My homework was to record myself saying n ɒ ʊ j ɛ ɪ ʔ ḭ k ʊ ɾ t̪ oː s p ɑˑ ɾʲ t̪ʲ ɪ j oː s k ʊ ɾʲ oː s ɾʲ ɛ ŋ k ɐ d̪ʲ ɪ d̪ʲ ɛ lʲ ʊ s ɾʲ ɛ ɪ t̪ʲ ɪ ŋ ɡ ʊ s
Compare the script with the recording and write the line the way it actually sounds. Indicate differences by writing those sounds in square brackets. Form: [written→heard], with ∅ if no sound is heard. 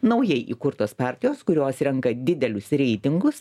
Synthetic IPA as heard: n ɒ ʊ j ɛ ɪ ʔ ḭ k ʊ ɾ t̪ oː s p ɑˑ ɾʲ t̪ʲ ɪ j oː s k ʊ ɾʲ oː s ɾʲ ɛ ŋ k ɐ d̪ʲ ɪ d̪ʲ ɛ lʲ ʊ s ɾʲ ɛ ɪ t̪ʲ ɪ ŋ ɡ ʊ s